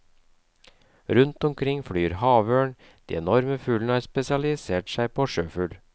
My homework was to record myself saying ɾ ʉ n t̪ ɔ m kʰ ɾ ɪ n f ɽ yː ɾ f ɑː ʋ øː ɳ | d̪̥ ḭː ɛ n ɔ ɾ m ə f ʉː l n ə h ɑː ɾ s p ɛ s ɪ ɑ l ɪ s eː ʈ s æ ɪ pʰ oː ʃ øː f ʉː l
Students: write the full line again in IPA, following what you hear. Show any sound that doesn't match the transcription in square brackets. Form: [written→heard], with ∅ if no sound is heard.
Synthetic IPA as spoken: ɾ ʉ n t̪ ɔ m kʰ ɾ ɪ [n→ŋ] f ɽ yː ɾ [f→h] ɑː ʋ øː ɳ | d̪̥ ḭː ɛ n ɔ ɾ m ə f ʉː l n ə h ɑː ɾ s p ɛ s ɪ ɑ l ɪ s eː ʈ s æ ɪ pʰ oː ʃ øː f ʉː l